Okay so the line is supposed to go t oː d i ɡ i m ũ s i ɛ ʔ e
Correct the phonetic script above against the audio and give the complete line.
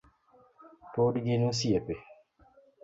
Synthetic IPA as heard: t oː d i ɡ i n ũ s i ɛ p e